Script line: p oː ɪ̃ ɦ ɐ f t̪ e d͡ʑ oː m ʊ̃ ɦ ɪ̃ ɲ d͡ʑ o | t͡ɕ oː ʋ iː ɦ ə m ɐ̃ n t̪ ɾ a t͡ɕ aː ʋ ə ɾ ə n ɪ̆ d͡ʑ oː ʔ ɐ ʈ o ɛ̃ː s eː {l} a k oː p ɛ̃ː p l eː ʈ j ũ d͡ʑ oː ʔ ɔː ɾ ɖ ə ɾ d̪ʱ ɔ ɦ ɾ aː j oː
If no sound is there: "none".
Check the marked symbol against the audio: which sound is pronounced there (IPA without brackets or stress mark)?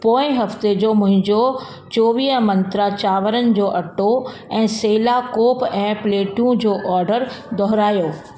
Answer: l